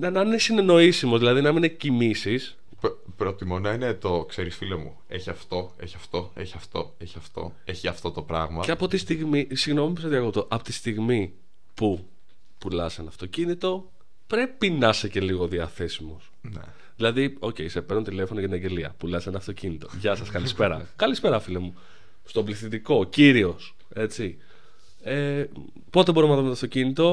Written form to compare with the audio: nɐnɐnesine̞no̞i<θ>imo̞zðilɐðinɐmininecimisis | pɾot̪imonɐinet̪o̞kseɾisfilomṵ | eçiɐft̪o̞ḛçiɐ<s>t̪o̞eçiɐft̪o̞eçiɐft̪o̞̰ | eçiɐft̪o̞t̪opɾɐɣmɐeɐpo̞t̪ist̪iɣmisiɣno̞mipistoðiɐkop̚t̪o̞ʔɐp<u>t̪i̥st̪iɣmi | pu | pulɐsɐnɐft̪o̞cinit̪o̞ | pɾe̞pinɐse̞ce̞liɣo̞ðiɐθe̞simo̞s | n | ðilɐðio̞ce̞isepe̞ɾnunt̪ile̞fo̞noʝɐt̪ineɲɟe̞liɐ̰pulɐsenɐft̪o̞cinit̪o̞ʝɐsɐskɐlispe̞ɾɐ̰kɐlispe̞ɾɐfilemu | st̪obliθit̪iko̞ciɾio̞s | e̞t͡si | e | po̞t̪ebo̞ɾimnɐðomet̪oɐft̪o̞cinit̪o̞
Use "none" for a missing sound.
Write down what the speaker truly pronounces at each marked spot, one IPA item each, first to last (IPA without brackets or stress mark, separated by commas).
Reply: s, f, o